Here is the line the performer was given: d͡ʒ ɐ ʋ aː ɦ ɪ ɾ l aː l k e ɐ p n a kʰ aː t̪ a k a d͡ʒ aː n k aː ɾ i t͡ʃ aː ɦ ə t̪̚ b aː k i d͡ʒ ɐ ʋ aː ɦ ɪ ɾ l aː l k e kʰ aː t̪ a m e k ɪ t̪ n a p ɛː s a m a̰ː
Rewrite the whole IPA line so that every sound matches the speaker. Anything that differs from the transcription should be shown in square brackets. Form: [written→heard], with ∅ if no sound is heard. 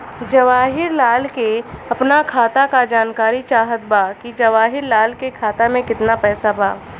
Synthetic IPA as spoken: d͡ʒ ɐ ʋ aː ɦ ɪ ɾ l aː l k e ɐ p n a kʰ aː t̪ a k a d͡ʒ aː n k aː ɾ i t͡ʃ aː ɦ ə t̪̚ b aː k i d͡ʒ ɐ ʋ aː ɦ ɪ ɾ l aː l k e kʰ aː t̪ a m [e→ẽ] k ɪ t̪ n a p ɛː s a [m→b] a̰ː